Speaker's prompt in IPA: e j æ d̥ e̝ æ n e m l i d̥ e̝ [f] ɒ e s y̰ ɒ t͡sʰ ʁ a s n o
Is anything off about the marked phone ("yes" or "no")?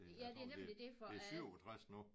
no